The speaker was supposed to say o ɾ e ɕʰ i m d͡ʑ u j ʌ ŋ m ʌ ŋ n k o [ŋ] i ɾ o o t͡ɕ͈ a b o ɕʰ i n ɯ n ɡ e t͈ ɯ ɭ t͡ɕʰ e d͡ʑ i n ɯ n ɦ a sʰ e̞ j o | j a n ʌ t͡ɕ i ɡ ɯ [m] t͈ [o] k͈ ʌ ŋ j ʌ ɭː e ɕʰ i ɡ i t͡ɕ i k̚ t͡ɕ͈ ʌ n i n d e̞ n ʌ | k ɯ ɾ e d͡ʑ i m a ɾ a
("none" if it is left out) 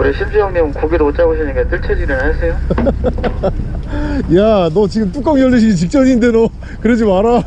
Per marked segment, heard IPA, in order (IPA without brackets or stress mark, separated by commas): ɡ, m, u